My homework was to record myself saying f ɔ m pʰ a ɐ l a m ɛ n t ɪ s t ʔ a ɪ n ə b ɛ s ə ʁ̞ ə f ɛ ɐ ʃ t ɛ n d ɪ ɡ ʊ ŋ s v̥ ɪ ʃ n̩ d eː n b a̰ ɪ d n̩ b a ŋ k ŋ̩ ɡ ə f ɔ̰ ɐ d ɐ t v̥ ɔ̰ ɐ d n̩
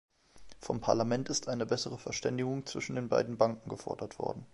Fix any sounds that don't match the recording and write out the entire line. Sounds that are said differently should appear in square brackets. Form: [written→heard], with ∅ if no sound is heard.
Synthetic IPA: f ɔ m pʰ a ɐ l a m ɛ n t ɪ s t ʔ a ɪ n ə b ɛ s ə ʁ̞ ə f ɛ ɐ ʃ t ɛ n d ɪ ɡ ʊ ŋ [s→t͡s] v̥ ɪ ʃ n̩ d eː n b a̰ ɪ d n̩ b a ŋ k ŋ̩ ɡ ə f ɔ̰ ɐ d ɐ t v̥ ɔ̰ ɐ d n̩